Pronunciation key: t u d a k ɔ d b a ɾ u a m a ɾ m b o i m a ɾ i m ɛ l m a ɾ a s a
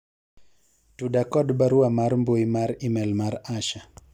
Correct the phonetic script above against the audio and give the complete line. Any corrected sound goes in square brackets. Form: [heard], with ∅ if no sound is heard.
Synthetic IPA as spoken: t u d a k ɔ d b a ɾ u a m a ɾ m b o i m a ɾ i m ɛ l m a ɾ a [ʃ] a